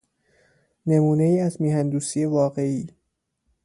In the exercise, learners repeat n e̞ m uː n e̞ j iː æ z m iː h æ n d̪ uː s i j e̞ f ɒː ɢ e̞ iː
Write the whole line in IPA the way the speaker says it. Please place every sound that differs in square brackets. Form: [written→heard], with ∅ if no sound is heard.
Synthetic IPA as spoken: n e̞ m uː n e̞ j iː æ z m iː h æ n d̪ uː s i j e̞ [f→v] ɒː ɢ e̞ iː